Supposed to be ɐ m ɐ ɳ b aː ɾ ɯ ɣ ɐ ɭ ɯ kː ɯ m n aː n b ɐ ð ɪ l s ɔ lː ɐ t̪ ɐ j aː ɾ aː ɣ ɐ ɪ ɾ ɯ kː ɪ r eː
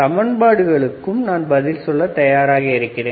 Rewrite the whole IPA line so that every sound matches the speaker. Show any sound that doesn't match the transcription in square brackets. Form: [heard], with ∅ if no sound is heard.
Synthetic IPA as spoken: ɐ m ɐ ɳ b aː [ɽ] ɯ ɣ ɐ ɭ ɯ kː ɯ m n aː n b ɐ ð ɪ l s ɔ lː ɐ t̪ ɐ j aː ɾ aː ɣ ɐ ɪ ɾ ɯ kː ɪ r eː